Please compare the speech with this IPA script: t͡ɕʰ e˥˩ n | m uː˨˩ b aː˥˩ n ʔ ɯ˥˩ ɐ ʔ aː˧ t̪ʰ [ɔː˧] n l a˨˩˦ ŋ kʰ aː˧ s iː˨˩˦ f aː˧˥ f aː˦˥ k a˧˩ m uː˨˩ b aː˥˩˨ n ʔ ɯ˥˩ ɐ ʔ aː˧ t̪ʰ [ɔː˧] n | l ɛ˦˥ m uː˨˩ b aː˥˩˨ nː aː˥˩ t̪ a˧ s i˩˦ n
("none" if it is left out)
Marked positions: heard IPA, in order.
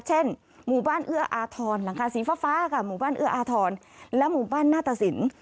ɔː˧, ɔː˧

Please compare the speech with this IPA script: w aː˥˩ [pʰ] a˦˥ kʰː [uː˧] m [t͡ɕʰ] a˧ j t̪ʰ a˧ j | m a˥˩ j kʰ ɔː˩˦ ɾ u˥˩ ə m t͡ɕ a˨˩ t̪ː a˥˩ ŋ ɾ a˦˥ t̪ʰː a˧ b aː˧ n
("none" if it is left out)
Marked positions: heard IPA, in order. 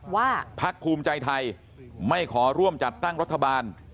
pʰ, uː˧, t͡ɕ

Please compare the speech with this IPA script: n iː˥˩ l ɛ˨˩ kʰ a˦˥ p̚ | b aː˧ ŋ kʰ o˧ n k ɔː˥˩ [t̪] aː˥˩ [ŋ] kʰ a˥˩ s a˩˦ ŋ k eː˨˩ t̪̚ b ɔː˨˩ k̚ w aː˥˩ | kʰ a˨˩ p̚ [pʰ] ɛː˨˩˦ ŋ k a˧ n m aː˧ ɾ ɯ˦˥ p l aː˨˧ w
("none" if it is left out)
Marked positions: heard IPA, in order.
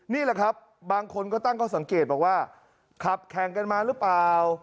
t̪, ŋ, kʰ

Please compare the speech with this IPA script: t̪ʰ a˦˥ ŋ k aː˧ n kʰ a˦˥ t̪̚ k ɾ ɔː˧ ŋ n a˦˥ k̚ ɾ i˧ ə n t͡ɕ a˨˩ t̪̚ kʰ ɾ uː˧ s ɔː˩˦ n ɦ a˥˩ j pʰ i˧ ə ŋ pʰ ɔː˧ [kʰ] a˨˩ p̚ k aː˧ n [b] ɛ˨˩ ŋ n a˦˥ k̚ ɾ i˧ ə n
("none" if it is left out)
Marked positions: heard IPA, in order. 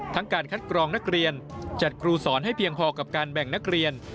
k, b

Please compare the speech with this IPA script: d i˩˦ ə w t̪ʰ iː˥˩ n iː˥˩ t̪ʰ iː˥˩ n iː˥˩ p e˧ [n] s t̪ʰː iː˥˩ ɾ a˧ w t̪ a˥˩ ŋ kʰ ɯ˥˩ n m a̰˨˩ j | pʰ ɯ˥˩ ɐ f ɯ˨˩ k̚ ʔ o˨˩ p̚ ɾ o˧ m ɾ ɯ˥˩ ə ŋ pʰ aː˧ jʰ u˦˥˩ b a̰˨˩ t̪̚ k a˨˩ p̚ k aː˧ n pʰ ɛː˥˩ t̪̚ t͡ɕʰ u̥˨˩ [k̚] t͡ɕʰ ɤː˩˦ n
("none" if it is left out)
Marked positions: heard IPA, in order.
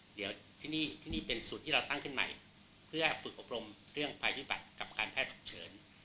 n, k̚

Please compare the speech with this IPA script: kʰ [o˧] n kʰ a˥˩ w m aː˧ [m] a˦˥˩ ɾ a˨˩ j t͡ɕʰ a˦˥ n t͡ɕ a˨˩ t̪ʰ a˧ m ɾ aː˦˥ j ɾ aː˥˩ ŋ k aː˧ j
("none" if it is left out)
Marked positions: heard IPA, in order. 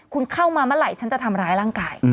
u˧, m

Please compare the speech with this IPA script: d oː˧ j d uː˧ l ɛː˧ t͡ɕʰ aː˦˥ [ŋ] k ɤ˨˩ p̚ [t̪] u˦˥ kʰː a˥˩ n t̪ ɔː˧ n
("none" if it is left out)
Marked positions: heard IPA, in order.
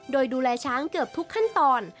ŋ, t̪ʰ

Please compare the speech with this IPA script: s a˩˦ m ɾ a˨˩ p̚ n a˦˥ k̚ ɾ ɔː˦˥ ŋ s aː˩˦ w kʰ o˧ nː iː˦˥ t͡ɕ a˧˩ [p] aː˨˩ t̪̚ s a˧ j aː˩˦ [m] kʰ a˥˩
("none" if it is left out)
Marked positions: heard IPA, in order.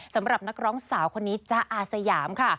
ʔ, m

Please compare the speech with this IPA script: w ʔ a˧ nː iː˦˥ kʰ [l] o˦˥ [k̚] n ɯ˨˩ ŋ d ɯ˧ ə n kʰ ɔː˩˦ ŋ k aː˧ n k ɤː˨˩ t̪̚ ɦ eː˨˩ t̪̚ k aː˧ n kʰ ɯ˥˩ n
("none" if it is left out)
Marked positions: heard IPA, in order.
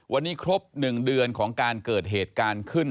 ɾ, p̚

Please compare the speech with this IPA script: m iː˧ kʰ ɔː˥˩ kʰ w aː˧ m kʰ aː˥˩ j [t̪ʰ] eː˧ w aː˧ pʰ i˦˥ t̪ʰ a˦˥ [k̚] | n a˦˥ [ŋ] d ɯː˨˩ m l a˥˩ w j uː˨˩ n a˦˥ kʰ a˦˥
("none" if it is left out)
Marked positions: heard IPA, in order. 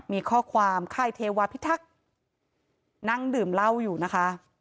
t̪ʰ, k̚, ŋ

